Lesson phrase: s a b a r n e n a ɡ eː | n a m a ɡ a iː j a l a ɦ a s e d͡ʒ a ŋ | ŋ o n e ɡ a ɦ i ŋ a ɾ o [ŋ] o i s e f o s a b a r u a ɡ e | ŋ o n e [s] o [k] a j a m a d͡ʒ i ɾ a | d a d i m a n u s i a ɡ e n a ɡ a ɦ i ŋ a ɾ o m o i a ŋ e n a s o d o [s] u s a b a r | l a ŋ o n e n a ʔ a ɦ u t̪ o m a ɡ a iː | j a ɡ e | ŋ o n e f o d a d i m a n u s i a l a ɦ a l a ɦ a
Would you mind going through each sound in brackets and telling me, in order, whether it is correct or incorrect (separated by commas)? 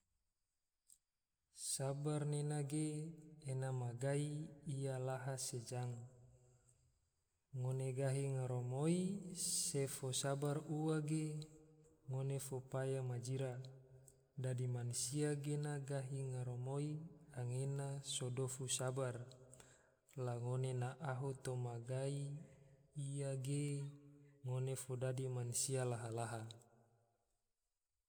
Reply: incorrect, incorrect, incorrect, incorrect